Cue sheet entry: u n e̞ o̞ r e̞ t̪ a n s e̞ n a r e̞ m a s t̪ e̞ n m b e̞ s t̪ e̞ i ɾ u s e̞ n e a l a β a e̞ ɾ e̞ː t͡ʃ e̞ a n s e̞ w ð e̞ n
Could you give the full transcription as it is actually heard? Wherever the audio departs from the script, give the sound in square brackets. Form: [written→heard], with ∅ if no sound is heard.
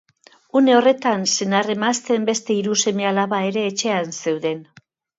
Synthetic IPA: u n e̞ o̞ r e̞ t̪ a n s e̞ n a r e̞ m a s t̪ e̞ [n→∅] m b e̞ s t̪ e̞ i ɾ u s e̞ [n→m] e a l a β a e̞ ɾ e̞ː t͡ʃ e̞ a n s e̞ w ð e̞ n